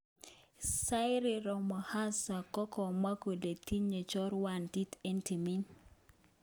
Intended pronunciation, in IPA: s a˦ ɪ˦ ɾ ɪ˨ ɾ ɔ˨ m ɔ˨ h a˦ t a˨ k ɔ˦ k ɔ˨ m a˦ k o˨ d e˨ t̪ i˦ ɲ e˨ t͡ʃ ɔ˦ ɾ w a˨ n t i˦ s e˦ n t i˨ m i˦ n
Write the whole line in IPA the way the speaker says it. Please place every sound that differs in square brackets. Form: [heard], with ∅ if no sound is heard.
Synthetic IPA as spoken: s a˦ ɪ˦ ɾ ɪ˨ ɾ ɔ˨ m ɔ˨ h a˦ [s] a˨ k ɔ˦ k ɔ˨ m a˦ k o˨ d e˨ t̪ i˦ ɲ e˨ t͡ʃ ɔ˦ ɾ w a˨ n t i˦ [t] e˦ n t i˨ m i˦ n